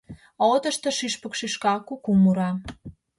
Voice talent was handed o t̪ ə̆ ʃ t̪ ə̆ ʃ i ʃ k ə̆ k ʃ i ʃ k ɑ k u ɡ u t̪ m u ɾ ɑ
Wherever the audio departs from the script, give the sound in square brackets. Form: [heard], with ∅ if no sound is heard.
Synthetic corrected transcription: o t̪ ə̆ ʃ t̪ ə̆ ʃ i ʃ [p] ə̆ k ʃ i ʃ k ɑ k u [k] u [∅] m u ɾ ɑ